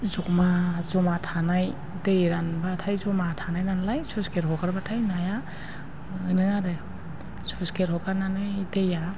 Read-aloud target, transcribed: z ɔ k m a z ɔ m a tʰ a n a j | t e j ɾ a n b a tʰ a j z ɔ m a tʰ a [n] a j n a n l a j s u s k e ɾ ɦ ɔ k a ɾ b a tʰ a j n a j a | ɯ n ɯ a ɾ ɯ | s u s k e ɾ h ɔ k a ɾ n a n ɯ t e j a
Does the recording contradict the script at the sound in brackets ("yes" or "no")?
no